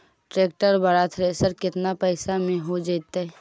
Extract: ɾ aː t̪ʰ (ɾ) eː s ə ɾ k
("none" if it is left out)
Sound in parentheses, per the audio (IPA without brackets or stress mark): ɾ